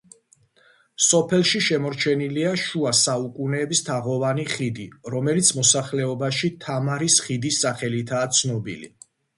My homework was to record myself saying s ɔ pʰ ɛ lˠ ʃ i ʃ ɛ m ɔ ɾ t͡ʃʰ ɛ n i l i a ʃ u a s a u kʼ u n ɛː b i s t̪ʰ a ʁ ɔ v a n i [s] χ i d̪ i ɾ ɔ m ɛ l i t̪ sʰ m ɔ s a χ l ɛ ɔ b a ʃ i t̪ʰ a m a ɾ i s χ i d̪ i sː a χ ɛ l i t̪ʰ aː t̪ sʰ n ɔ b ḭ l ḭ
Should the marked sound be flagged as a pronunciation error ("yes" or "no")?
yes